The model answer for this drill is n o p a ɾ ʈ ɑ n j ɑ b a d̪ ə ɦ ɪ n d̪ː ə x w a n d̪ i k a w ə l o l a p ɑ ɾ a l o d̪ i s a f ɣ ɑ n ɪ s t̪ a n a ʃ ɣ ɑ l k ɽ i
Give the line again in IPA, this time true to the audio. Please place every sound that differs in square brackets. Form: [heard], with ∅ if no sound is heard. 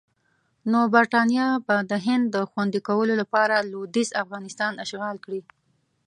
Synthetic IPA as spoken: n o [b] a ɾ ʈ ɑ n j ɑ b a d̪ ə ɦ ɪ n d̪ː ə x w a n d̪ i k a w ə l o l a p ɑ ɾ a l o d̪ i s a f ɣ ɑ n ɪ s t̪ [ɑ] n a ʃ ɣ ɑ l k ɽ i

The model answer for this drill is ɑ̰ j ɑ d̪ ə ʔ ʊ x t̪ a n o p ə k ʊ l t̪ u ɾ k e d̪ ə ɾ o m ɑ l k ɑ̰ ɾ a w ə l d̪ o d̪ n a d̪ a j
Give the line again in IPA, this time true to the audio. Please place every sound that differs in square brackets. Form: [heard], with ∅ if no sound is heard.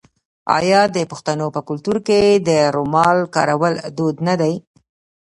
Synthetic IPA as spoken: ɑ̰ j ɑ d̪ ə [p] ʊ x t̪ a n o p ə k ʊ l t̪ u ɾ k e d̪ ə ɾ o m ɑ l k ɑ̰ ɾ a w ə l d̪ o d̪ n a d̪ a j

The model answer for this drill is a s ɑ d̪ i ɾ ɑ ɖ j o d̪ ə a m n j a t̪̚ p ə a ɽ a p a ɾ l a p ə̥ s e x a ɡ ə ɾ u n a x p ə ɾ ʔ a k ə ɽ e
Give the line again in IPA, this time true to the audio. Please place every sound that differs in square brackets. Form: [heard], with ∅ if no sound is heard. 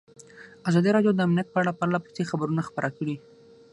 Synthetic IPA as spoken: a [z] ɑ d̪ i ɾ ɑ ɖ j o d̪ ə a m n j a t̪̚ p ə a ɽ a p a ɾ l a p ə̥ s e x a [b] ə ɾ u n a x p ə ɾ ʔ a k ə ɽ [i]

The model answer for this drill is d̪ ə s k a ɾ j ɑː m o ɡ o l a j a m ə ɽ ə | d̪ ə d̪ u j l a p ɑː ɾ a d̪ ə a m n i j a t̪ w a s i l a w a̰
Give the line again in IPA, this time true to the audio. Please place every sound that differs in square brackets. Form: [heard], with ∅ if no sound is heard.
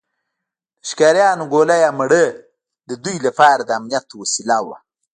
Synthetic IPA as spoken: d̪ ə [ʃ] k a ɾ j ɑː [n] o ɡ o l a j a m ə ɽ ə | d̪ ə d̪ u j l a p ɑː ɾ a d̪ ə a m n i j a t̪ w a s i l a w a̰

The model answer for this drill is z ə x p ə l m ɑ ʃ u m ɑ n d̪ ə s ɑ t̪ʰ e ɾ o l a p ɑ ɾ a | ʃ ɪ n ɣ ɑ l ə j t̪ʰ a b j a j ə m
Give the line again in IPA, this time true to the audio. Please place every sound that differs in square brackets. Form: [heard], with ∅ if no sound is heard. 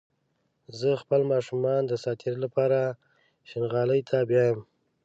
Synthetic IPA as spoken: z ə x p ə l m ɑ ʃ u m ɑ n d̪ ə s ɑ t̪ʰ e ɾ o l a p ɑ ɾ a | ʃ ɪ n ɣ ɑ l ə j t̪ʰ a b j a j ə m

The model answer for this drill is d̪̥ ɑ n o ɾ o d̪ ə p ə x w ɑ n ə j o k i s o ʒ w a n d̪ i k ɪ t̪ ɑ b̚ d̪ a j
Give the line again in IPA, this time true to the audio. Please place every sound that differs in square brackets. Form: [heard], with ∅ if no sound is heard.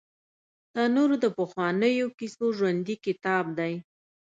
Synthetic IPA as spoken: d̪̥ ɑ n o ɾ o d̪ ə p ə x w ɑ n ə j o k i s o ʒ w a n d̪ i k ɪ t̪ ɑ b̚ d̪ a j

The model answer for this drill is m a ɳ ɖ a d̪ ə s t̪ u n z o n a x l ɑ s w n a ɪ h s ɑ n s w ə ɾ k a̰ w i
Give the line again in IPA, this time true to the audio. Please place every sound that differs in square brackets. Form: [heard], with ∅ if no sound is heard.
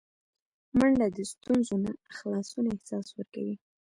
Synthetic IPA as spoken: m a ɳ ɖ a d̪ ə s t̪ u n z o n a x l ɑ s [u] n a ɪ h s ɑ [∅] s w ə ɾ k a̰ w i

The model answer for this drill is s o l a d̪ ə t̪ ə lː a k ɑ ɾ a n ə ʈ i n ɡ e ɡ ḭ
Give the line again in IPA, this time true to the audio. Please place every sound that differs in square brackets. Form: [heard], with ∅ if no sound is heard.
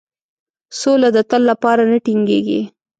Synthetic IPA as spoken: s o l a d̪ ə t̪ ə lː a [p] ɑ ɾ a n ə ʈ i [ŋ] ɡ e ɡ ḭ

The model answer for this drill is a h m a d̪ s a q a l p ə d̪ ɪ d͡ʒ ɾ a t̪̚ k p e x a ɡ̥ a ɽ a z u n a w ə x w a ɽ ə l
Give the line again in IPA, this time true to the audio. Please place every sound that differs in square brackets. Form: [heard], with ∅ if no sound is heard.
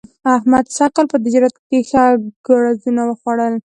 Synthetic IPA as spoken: a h m a d̪ s a q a l p ə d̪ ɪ d͡ʒ ɾ a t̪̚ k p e x a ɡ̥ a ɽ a z u n a w ə x w a ɽ ə l

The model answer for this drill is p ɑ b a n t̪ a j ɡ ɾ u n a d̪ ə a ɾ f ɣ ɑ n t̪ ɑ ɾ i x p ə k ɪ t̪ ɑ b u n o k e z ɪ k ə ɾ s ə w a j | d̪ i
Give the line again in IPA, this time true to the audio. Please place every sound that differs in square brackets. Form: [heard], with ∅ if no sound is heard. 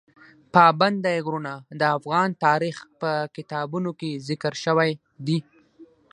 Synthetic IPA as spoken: p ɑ b a n [d̪] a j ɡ ɾ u n a d̪ ə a [∅] f ɣ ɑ n t̪ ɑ ɾ i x p ə k ɪ t̪ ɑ b u n o k e z ɪ k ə ɾ [ʃ] ə w a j | d̪ i

